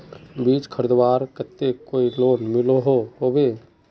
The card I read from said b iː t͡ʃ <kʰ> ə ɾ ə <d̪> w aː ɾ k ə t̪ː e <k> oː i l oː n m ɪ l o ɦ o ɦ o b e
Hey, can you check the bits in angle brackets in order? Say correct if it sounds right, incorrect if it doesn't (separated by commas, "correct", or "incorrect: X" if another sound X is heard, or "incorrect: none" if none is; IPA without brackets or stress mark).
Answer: correct, correct, correct